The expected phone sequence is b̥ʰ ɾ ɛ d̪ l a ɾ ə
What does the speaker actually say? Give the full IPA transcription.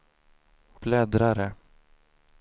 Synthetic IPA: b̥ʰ l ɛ d̪ ɾ a ɾ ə

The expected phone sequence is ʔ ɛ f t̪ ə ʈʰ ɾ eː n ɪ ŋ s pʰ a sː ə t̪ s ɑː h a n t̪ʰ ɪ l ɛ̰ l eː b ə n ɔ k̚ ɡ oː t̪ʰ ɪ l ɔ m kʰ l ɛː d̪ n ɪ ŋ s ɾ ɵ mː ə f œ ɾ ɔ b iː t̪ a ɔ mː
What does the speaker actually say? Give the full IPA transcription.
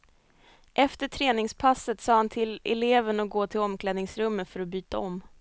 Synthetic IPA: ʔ ɛ f t̪ ə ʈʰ ɾ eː n ɪ ŋ s pʰ a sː ə t̪ s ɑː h a n t̪ʰ ɪ l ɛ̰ l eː v ə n ɔ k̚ ɡ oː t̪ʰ ɪ l ɔ m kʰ l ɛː d̪ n ɪ ŋ s ɾ ɵ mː ə f œ ɾ ɔ b yː t̪ a ɔ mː

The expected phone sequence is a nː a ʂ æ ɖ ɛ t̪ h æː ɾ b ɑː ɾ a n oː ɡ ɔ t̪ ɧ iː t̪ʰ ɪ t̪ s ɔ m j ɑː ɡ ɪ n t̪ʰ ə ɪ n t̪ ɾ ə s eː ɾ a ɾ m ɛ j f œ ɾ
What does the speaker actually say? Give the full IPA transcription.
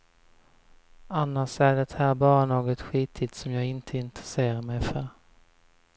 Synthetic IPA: a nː a ʂ æ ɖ ɛ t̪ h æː ɾ b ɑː ɾ a n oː ɡ ɔ t̪ ɧ iː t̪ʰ ɪ t̪ s ɔ m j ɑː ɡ ɪ n t̪ʰ ə ɪ n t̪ ɾ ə s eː ɾ a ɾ m ɛ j f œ ɾ

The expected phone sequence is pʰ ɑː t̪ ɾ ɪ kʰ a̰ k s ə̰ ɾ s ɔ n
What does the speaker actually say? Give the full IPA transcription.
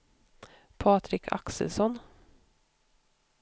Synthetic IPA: pʰ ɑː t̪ ɾ ɪ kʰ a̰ k s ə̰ l s ɔ n

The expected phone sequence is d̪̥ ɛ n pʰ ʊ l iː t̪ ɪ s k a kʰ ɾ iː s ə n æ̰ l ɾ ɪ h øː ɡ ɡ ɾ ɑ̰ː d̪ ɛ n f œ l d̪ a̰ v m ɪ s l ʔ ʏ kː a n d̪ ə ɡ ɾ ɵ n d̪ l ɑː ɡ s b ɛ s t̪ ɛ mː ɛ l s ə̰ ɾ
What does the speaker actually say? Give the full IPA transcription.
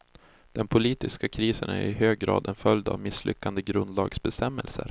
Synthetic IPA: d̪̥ ɛ n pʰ ʊ l iː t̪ ɪ s k a kʰ ɾ iː s ə n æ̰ ɾ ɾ ɪ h øː ɡ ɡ ɾ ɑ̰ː d̪ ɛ n f œ l d̪ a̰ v m ɪ s l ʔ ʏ kː a n d̪ ə ɡ ɾ ɵ n d̪ l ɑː ɡ s b ɛ s t̪ ɛ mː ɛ l s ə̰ ɾ

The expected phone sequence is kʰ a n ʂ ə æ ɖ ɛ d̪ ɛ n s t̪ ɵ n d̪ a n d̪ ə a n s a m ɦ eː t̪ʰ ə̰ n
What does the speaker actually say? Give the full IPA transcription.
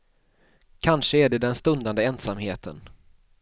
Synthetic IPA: kʰ a n ʂ ə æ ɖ ɛ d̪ ɛ n s t̪ ɵ n d̪ a n d̪ ə ɛ n s a m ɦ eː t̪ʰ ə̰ n

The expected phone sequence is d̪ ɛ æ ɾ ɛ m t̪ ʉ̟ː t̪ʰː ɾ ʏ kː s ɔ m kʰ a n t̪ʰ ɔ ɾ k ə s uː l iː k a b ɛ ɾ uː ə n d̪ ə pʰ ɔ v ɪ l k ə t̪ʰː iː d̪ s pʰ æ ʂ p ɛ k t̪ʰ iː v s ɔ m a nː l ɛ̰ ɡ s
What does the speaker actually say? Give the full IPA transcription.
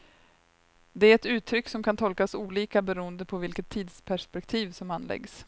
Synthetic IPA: d̪ ɛ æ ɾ ɛ t̪ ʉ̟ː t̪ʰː ɾ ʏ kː s ɔ m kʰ a n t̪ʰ ɔ l k a s uː l iː k a b ɛ ɾ uː ə n d̪ ə pʰ ɔ v ɪ l k ə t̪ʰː iː d̪ s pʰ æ ʂ p ɛ k t̪ʰ iː v s ɔ m a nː l ɛ̰ ɡ s

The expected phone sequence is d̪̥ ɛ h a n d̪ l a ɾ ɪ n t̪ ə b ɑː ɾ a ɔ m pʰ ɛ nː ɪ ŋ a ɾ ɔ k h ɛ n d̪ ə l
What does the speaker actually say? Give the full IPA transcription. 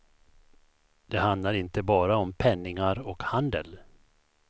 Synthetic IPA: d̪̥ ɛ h a n d̪ l a ɾ ɪ n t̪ ə b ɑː ɾ a ɔ m pʰ ɛ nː ɪ ŋ a ɾ ɔ k h a n d̪ ə l

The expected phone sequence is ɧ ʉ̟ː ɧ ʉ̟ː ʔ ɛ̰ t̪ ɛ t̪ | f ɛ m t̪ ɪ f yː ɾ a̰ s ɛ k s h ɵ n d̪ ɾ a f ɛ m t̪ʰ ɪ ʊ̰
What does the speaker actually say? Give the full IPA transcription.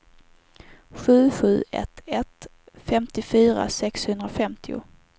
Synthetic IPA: ɧ ʉ̟ː ɧ ʉ̟ː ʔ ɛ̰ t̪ ɛ t̪ | f ɛ m t̪ ɪ f yː ɾ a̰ s ɛ k s h ɵ n d̪ ɾ a f ɛ m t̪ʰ ɪ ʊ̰

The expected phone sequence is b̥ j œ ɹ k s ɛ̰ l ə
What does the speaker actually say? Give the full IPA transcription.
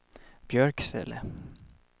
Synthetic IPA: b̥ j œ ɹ k s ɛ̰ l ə

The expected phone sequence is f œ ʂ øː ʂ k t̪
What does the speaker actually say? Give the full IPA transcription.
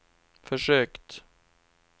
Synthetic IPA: f œ ʂ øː k t̪

